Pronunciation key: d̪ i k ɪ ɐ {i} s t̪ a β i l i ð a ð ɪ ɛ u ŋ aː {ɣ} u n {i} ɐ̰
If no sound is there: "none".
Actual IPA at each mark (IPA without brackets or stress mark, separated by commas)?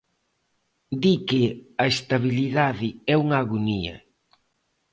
e, ɣ, i